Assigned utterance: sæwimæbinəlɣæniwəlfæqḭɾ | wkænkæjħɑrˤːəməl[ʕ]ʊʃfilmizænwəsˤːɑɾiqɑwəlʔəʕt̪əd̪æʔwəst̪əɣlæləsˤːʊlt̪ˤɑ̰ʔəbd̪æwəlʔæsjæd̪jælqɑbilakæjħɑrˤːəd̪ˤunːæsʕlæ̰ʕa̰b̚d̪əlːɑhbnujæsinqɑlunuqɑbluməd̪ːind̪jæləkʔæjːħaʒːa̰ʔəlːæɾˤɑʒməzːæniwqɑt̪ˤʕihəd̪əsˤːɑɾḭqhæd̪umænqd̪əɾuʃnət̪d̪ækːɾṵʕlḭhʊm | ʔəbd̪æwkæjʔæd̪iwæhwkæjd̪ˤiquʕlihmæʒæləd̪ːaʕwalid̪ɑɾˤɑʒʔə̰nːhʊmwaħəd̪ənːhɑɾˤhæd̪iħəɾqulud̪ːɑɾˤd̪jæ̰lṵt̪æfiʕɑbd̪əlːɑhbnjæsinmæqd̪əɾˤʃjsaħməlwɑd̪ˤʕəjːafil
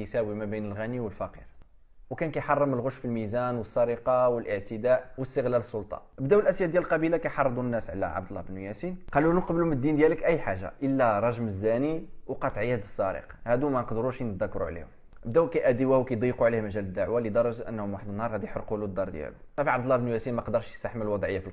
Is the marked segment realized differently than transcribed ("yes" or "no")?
yes